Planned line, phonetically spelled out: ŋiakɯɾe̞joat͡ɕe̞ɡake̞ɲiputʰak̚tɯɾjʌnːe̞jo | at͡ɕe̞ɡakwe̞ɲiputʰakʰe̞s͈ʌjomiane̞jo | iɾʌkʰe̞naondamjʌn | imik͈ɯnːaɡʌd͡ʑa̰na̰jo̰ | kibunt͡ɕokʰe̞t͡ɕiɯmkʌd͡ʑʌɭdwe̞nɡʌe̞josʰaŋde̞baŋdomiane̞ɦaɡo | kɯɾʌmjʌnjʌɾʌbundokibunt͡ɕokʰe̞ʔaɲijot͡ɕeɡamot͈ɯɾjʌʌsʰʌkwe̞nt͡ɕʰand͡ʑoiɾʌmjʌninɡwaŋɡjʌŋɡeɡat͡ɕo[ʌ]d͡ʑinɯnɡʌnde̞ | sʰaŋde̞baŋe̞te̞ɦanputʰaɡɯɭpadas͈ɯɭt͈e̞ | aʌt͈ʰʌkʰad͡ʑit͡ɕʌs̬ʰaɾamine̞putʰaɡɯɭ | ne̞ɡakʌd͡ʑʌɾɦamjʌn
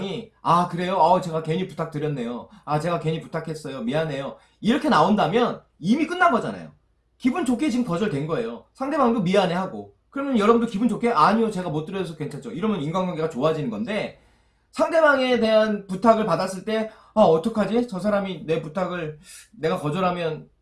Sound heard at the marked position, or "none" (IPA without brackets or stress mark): a